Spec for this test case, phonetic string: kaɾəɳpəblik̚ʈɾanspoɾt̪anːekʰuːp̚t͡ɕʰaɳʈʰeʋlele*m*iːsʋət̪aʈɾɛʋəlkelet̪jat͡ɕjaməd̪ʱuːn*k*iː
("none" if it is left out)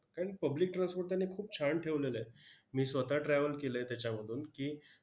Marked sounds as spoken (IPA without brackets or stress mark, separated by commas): m, k